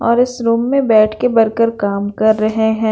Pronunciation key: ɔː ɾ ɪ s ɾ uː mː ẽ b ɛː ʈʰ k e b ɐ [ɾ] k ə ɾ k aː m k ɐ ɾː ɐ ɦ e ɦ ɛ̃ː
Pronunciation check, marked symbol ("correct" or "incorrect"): correct